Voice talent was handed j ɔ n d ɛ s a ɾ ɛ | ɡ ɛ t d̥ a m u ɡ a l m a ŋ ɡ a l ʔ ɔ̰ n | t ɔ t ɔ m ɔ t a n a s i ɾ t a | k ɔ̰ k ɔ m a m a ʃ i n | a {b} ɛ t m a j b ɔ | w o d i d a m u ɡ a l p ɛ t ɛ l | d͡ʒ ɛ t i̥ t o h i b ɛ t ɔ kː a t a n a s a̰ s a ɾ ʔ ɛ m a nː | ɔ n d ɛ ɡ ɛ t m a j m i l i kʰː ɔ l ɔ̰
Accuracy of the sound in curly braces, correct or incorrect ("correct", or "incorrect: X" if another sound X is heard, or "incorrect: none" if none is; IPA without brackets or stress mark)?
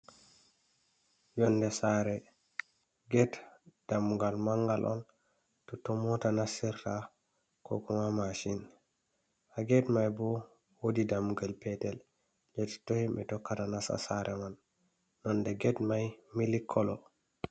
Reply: incorrect: ɡ